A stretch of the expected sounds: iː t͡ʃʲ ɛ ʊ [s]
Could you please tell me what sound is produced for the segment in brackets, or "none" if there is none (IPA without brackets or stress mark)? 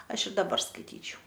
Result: none